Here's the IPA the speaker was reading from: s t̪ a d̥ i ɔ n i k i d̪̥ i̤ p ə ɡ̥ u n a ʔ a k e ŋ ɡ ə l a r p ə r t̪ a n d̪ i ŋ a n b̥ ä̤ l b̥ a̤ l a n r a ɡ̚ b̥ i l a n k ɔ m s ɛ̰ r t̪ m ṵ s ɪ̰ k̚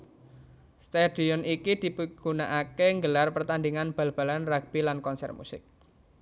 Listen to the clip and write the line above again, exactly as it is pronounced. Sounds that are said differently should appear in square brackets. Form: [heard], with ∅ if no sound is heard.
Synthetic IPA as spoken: s t̪ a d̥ i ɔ n i k i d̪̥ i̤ p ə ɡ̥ u n a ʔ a k e ŋ ɡ ə l a r p ə r t̪ a n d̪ i ŋ a n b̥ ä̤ l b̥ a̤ l a n r a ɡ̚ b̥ i l a n k ɔ [n] s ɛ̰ r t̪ m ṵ s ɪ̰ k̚